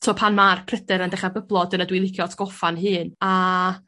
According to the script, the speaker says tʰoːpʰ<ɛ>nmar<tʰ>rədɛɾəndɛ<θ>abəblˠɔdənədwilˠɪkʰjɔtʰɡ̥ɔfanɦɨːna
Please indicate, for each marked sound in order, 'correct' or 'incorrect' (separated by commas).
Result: incorrect, incorrect, incorrect